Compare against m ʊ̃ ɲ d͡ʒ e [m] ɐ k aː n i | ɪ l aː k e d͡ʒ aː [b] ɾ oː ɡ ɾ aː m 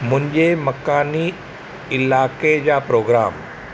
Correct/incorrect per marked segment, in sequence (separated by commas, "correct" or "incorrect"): correct, incorrect